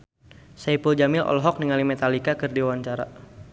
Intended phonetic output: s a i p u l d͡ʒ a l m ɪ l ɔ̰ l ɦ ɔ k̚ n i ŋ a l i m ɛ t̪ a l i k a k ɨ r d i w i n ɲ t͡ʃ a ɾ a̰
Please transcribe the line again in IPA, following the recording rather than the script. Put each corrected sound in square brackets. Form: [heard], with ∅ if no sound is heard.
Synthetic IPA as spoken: s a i p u l d͡ʒ a [∅] m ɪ l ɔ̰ l ɦ ɔ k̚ n i ŋ a l i m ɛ t̪ a l i k a k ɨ r d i w [a] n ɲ t͡ʃ a ɾ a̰